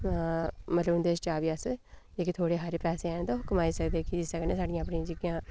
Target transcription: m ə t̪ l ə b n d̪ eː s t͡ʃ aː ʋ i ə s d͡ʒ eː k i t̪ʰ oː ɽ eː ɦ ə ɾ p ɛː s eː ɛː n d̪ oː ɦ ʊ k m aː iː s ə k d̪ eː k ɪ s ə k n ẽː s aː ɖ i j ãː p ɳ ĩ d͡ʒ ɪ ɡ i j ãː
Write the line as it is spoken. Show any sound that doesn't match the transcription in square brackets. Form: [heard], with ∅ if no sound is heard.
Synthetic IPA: m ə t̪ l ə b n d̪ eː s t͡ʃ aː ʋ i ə s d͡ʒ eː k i t̪ʰ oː ɽ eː ɦ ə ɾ p ɛː s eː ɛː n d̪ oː ɦ ʊ k m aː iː s ə k d̪ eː k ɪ s ə k n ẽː s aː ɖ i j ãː p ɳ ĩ d͡ʒ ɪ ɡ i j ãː